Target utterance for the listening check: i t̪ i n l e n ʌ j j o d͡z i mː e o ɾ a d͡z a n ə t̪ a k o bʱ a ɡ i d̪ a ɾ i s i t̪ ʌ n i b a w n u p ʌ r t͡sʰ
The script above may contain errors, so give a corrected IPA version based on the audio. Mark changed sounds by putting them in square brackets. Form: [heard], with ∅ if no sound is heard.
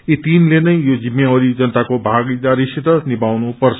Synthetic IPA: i t̪ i n l e n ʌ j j o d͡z i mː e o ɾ [i] d͡z [ʌ] n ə t̪ a k o bʱ a ɡ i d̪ a ɾ i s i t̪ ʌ n i b a w n u p ʌ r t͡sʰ